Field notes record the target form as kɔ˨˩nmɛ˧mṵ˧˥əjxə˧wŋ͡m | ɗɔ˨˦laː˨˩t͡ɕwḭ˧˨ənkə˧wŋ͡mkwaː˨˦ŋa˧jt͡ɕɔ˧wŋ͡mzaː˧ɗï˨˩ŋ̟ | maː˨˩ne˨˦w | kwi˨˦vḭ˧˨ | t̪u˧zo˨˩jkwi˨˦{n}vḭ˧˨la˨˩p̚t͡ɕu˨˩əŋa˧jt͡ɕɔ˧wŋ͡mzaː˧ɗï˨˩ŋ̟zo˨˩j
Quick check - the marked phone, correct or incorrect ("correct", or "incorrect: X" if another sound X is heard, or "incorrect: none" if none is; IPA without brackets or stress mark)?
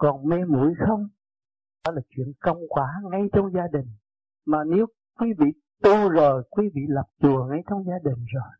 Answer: incorrect: none